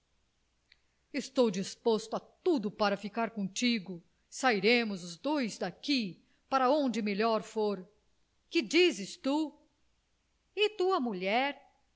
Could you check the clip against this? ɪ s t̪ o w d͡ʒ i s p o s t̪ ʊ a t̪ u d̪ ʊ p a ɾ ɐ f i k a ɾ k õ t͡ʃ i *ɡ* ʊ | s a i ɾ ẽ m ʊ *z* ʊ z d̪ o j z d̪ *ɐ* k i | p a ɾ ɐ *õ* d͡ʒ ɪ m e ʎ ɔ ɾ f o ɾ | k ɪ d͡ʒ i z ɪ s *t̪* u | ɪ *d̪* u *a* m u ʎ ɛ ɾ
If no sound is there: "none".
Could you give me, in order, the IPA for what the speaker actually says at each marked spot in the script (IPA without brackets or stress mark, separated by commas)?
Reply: ɡ, z, a, õ, t̪, t̪, ɐ